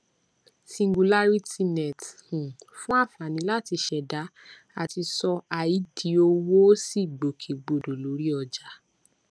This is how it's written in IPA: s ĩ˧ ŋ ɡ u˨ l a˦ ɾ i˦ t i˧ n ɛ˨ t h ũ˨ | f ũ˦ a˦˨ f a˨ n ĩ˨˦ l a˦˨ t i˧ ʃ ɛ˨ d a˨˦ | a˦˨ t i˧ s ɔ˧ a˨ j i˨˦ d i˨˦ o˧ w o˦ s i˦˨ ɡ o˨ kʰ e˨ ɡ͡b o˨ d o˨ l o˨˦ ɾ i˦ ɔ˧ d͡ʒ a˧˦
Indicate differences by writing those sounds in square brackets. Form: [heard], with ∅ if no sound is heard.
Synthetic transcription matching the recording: s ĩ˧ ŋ ɡ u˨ l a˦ ɾ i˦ t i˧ n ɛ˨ t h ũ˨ | f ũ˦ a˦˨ f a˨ n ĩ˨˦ l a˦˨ t i˧ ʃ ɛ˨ d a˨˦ | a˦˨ t i˧ s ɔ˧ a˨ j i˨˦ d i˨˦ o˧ w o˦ s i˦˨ [ɡ͡b] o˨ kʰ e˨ ɡ͡b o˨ d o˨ l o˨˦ ɾ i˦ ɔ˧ d͡ʒ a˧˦